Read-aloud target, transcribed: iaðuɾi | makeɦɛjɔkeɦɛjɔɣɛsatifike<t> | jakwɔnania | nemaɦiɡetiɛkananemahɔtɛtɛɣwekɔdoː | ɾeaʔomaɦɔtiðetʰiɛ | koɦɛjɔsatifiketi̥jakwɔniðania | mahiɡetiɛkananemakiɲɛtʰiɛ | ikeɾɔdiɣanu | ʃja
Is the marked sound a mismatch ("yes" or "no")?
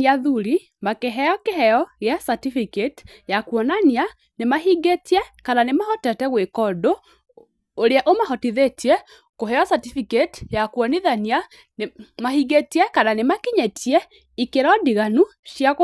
no